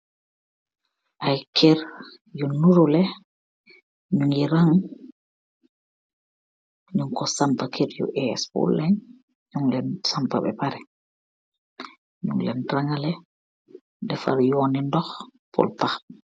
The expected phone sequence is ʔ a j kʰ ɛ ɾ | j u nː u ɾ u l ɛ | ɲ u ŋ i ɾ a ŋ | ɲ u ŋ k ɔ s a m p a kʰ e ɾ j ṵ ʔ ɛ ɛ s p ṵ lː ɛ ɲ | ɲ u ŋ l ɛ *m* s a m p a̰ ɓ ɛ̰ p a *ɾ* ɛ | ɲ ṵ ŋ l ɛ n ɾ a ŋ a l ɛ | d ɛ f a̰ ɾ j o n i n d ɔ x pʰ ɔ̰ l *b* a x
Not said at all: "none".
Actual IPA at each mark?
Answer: n, ɾ, p

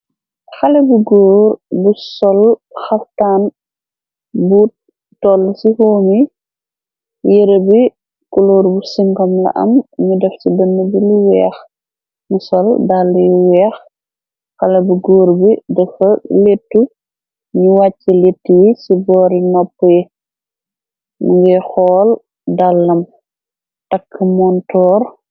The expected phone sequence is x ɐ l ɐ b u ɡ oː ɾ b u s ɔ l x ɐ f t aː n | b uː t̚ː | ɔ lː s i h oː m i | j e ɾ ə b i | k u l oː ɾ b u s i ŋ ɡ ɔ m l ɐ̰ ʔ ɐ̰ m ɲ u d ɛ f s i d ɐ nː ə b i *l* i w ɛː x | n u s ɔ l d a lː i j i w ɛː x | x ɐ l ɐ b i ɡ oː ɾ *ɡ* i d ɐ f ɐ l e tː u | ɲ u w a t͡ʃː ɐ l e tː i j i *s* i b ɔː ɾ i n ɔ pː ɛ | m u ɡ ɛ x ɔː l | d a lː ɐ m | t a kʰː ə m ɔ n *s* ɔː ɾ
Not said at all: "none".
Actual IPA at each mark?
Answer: l, b, s, t

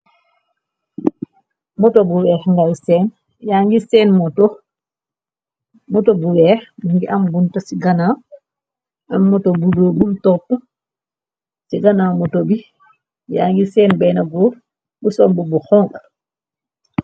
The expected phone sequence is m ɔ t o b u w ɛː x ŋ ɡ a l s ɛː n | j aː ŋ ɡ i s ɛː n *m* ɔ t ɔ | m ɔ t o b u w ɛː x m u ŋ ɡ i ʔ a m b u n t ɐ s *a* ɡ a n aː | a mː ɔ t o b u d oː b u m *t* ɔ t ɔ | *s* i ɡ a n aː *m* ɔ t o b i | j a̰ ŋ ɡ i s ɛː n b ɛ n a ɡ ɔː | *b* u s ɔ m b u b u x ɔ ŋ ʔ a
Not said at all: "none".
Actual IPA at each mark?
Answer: m, i, t, s, m, b

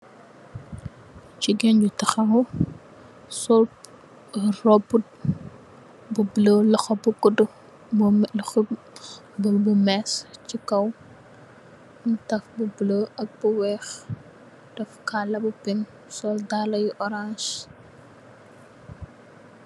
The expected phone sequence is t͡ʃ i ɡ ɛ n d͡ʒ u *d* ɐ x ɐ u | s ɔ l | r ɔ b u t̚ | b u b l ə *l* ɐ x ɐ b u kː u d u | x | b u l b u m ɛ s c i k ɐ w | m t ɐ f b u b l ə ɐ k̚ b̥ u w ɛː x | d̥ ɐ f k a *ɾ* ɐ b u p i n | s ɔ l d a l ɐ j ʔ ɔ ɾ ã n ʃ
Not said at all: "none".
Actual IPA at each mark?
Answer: t, l, l

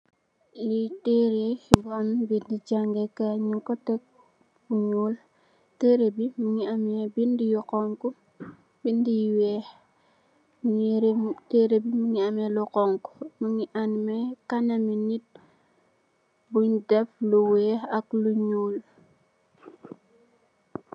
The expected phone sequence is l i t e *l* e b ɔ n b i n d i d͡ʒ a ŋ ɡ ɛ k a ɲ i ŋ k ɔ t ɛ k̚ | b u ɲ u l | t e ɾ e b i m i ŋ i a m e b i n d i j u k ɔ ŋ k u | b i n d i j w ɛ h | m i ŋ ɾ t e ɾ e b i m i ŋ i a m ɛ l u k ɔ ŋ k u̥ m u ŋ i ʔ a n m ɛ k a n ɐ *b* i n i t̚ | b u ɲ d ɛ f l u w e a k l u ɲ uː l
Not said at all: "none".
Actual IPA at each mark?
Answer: ɾ, m

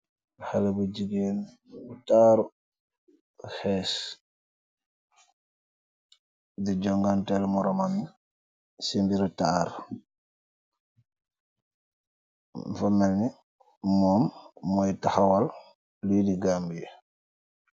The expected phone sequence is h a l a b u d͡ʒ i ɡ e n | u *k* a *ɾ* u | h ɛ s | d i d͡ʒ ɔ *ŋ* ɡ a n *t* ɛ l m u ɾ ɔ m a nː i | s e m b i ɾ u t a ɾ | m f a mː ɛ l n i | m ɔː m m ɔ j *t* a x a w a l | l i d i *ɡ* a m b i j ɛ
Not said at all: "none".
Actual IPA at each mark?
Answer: t, ɾ, ŋ, t, t, ɡ

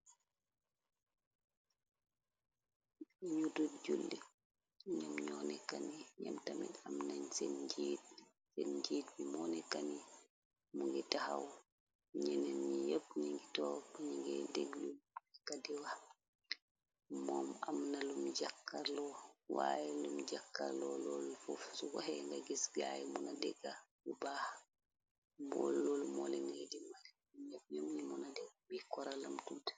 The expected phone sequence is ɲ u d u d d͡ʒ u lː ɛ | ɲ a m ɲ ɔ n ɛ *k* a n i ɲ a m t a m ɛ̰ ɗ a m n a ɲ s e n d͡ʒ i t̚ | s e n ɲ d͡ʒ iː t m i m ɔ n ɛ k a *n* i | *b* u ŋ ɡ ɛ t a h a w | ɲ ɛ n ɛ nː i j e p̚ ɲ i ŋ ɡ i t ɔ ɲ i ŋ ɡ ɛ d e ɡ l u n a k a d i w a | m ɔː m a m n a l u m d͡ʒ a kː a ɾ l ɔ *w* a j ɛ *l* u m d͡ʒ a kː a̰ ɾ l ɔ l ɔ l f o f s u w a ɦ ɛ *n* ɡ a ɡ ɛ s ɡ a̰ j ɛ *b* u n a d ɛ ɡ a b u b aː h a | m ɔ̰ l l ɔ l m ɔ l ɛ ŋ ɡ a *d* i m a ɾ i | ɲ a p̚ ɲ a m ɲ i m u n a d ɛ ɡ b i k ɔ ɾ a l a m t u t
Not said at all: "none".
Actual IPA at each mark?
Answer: k, n, m, w, l, ŋ, m, d

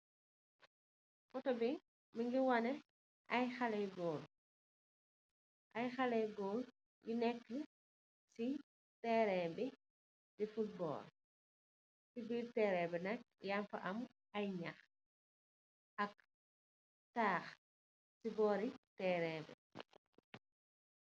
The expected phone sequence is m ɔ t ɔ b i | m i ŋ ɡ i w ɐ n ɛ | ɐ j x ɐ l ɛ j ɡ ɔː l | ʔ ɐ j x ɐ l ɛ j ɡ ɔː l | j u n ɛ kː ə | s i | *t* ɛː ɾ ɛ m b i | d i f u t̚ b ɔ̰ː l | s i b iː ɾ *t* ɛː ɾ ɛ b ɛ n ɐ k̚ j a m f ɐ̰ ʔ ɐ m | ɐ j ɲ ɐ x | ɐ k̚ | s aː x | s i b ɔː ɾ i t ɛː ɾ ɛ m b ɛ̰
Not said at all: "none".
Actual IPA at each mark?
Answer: t, t

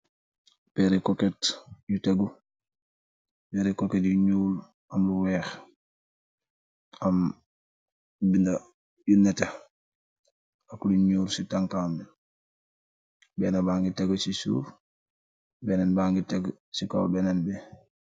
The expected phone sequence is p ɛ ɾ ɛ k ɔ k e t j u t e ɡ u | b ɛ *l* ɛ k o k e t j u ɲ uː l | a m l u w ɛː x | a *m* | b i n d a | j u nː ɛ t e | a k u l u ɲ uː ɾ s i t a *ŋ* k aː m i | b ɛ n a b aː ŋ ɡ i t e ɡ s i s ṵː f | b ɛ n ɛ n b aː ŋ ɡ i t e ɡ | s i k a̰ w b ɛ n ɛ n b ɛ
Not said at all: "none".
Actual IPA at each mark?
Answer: ɾ, m, ŋ

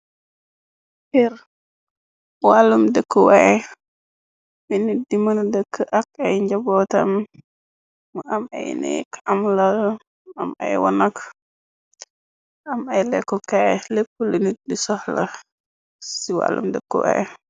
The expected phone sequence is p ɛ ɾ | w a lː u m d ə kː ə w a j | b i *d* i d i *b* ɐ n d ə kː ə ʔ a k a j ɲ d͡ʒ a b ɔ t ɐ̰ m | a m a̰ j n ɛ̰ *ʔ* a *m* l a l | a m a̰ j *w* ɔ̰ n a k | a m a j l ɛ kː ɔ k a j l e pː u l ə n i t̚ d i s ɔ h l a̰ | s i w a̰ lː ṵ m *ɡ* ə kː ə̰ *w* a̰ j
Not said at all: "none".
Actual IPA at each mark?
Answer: n, m, k, m, w, d, w

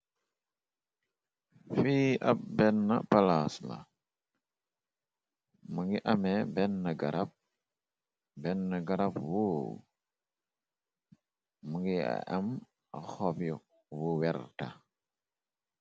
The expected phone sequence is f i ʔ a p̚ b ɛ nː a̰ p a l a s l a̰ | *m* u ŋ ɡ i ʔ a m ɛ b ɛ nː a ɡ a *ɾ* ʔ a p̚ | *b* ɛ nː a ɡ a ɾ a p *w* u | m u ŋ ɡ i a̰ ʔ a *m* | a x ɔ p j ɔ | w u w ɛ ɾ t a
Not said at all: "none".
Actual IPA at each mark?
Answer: m, ɾ, b, w, m

